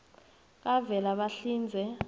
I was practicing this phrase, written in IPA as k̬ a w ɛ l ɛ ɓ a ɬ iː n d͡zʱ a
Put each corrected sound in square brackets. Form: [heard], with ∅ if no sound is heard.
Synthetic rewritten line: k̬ a [v] ɛ l [a] ɓ a ɬ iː n d͡zʱ [ɛ]